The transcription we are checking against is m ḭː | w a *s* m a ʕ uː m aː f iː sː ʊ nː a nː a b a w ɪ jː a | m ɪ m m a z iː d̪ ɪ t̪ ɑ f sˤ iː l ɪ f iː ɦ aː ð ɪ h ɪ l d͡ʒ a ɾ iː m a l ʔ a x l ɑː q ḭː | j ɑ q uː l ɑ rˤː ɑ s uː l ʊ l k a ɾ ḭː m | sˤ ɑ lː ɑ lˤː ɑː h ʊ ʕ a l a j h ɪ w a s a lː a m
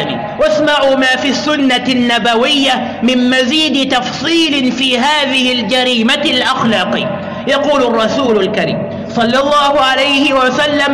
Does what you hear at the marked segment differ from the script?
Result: no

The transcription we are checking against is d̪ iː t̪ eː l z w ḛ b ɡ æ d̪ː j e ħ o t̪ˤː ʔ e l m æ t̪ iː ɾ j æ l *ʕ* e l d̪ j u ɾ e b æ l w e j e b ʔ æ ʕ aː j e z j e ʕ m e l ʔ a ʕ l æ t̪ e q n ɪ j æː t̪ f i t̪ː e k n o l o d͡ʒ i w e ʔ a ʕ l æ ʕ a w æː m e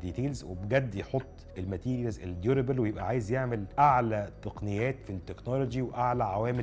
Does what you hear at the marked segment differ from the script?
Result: yes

